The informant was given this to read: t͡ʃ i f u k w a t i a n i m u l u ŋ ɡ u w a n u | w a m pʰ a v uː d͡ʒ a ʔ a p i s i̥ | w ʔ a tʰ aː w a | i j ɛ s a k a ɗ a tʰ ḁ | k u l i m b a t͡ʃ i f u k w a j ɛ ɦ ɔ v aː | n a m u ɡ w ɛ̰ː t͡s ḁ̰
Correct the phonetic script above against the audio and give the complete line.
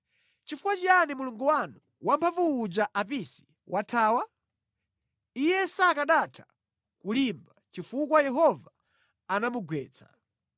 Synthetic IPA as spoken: t͡ʃ i f u k w a t͡ʃ i a n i m u l u ŋ ɡ u w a n u | w a m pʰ a v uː d͡ʒ a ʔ a p i s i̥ | w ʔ a tʰ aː w a | i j ɛ s a k a ɗ a tʰ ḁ | k u l i m b a t͡ʃ i f u k w a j ɛ ɦ ɔ v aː | n a m u ɡ w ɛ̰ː t͡s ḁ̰